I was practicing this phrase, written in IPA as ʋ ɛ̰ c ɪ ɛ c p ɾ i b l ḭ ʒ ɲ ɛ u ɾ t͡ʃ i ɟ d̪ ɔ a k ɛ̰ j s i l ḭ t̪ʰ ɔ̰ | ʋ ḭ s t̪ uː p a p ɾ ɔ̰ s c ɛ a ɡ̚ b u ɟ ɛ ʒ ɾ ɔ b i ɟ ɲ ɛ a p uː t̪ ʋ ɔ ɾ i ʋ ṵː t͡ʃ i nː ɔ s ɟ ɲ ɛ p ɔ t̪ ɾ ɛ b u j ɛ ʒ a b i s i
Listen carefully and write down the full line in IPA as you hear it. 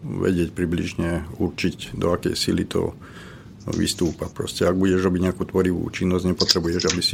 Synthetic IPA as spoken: ʋ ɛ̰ ɟ ɪ ɛ c p ɾ i b l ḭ ʒ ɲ ɛ u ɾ t͡ʃ i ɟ d̪ ɔ a k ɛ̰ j s i l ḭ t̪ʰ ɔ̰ | ʋ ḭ s t̪ uː p a p ɾ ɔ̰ s c ɛ a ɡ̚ b u ɟ ɛ ʒ ɾ ɔ b i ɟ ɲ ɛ a k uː t̪ ʋ ɔ ɾ i ʋ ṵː t͡ʃ i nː ɔ z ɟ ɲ ɛ p ɔ t̪ ɾ ɛ b u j ɛ ʒ a b i s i